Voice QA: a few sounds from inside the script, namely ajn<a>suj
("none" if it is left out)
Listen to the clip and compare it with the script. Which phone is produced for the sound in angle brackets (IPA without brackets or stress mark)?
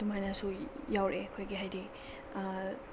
a